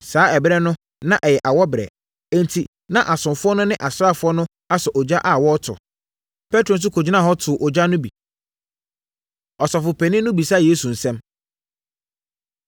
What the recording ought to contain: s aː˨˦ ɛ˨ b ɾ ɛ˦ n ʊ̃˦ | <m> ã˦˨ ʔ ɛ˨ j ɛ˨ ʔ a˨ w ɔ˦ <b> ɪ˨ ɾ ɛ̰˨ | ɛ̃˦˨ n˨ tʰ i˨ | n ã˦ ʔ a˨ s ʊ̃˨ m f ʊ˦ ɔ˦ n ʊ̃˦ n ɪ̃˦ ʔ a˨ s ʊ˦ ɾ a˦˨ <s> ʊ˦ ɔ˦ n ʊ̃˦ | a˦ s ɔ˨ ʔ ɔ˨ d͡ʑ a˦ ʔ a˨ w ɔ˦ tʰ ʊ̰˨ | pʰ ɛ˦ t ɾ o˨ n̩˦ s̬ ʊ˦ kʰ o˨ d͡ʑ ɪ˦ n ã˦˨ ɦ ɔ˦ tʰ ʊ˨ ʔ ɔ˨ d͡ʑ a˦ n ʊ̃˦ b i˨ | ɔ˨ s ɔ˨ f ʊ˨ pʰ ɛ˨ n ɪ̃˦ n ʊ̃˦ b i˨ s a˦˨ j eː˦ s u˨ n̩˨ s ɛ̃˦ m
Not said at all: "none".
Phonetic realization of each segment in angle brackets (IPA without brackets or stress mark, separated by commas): n, b, f